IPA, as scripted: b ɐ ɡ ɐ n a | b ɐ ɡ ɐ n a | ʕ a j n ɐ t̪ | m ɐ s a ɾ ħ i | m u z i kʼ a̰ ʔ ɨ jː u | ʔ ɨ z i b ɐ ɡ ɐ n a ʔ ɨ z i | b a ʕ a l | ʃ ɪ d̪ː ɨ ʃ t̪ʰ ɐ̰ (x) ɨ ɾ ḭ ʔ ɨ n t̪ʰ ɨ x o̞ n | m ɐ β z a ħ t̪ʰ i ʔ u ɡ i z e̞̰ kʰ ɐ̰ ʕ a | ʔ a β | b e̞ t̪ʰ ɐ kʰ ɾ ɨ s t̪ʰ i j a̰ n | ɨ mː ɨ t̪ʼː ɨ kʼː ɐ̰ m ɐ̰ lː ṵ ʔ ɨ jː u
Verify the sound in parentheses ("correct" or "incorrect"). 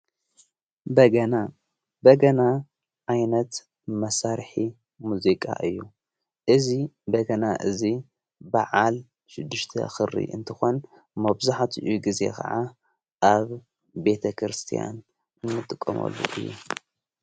correct